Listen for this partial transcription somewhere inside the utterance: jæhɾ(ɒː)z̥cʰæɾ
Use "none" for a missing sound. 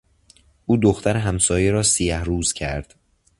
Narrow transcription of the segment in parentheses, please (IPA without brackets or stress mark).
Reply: uː